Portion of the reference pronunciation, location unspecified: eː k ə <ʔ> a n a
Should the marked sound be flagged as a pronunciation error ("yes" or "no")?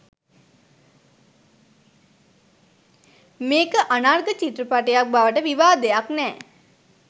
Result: no